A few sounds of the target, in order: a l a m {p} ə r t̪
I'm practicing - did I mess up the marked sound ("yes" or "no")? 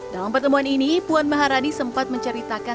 no